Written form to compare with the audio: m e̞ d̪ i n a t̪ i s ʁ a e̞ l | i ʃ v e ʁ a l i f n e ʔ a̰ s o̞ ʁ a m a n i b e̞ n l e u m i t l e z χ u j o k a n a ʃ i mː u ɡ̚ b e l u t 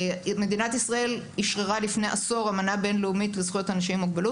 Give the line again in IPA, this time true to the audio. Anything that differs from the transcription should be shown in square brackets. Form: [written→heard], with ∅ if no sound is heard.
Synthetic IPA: m e̞ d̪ i n a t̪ i s ʁ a e̞ l | i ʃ [v→ʁ] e ʁ a l i f n e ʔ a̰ s o̞ ʁ a m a n [i→a] b e̞ n l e u m i t l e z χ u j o [k→t] a n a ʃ i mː u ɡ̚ b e l u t